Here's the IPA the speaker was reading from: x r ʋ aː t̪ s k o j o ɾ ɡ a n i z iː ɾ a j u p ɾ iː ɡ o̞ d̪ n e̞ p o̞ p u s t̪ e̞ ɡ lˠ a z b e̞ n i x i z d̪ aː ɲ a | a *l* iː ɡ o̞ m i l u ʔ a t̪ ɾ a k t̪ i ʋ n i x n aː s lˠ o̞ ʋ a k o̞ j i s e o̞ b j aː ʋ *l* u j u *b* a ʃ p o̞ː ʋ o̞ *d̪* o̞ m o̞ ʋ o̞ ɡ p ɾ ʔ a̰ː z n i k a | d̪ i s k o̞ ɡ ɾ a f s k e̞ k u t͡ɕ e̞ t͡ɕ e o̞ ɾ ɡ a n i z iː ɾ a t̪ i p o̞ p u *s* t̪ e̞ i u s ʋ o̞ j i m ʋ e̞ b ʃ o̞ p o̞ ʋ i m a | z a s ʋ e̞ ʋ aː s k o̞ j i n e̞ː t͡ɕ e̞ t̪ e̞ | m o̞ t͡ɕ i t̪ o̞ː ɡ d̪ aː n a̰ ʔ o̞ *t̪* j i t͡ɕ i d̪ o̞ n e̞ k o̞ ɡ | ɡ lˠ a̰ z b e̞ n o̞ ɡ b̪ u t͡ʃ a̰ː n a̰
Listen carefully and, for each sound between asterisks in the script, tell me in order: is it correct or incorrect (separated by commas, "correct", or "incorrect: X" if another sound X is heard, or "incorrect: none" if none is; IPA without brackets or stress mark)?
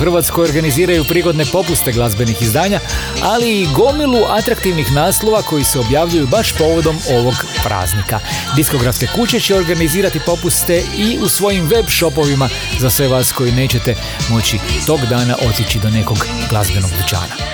correct, incorrect: ʎ, correct, correct, correct, correct